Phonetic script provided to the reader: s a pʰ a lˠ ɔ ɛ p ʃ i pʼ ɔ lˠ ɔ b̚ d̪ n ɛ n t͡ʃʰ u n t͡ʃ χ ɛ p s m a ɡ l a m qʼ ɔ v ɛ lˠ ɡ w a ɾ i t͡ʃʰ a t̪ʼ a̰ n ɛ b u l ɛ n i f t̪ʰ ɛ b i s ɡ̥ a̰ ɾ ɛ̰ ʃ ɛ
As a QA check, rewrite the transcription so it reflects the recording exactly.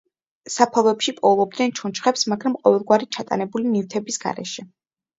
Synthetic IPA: s a pʰ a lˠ ɔ ɛ p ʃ i pʼ ɔ lˠ ɔ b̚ d̪ n ɛ n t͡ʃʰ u n t͡ʃ χ ɛ p s m a ɡ ɾ a m qʼ ɔ v ɛ lˠ ɡ w a ɾ i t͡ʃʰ a t̪ʼ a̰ n ɛ b u l i n i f t̪ʰ ɛ b i s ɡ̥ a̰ ɾ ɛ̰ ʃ ɛ